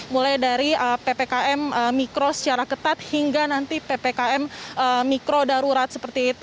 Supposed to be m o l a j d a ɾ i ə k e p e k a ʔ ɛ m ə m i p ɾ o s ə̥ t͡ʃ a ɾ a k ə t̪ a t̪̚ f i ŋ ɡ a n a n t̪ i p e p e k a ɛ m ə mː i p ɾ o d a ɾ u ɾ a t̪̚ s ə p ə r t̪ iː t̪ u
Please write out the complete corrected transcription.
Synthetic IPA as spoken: m u l a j d a ɾ i ə p e p e k a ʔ ɛ m ə m i k ɾ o s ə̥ t͡ʃ a ɾ a k ə t̪ a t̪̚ h i ŋ ɡ a n a n t̪ i p e p e k a ɛ m ə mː i k ɾ o d a ɾ u ɾ a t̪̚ s ə p ə r t̪ iː t̪ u